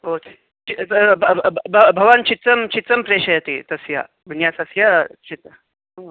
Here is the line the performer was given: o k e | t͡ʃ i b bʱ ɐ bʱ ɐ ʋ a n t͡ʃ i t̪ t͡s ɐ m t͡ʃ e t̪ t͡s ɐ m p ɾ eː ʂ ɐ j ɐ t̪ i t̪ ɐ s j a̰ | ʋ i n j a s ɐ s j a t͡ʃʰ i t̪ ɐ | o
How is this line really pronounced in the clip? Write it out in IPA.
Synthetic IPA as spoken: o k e | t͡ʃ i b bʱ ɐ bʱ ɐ ʋ a n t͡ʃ i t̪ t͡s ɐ m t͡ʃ i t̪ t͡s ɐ m p ɾ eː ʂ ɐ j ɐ t̪ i t̪ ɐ s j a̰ | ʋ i n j a s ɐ s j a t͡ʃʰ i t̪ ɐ | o